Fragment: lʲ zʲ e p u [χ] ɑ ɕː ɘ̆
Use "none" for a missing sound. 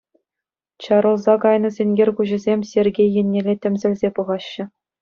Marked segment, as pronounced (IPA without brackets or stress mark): ʁ